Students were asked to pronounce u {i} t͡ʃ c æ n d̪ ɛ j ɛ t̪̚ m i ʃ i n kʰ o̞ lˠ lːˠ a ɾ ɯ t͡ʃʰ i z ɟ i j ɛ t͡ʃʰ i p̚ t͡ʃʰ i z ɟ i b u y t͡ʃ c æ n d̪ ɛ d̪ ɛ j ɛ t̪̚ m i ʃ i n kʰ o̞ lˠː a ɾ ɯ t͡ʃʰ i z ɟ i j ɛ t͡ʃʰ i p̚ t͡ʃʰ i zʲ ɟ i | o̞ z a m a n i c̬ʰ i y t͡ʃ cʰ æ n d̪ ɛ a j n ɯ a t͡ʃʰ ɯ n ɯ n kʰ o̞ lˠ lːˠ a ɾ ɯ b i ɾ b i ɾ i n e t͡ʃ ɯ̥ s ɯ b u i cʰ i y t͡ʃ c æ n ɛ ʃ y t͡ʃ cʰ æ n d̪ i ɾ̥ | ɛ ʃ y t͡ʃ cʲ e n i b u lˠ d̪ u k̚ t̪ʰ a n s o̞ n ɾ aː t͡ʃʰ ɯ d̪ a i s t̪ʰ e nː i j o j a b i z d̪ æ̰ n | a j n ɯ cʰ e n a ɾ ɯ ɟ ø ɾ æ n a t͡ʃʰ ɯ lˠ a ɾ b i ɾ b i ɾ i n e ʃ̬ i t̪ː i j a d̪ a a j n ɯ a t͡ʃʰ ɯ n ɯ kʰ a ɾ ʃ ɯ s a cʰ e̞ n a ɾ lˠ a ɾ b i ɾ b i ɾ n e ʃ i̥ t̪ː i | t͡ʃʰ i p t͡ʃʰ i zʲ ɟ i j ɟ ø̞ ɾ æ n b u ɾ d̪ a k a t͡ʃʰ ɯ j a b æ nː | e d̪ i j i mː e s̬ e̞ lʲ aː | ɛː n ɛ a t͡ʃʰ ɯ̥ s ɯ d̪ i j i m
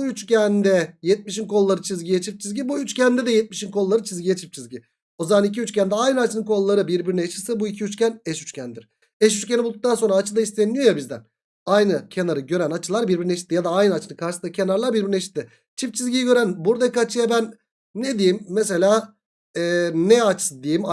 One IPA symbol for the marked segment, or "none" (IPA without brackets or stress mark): y